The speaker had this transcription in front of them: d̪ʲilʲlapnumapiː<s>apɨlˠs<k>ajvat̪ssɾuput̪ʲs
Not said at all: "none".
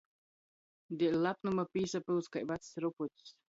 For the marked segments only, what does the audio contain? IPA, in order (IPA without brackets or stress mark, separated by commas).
s, k